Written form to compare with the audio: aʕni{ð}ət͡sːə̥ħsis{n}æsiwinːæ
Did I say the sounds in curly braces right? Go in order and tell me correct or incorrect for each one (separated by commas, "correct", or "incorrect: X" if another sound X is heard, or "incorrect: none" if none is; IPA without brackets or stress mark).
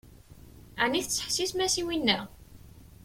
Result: incorrect: θ, incorrect: m